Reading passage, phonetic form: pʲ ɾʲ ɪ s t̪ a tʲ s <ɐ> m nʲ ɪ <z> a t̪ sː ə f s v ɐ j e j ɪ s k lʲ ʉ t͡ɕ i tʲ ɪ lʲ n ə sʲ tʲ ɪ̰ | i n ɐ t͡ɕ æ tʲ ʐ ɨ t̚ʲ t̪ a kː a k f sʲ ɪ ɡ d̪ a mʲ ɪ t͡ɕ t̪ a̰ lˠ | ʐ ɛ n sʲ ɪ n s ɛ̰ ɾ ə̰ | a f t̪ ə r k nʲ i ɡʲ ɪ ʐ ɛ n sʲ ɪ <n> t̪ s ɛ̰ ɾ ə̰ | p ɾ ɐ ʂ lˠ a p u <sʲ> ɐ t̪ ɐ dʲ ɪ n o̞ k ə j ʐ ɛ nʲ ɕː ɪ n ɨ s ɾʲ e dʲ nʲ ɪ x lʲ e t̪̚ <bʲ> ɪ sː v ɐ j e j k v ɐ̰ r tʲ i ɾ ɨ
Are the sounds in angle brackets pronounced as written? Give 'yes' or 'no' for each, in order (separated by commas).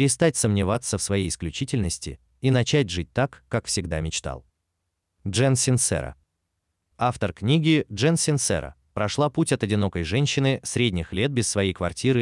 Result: no, no, yes, no, yes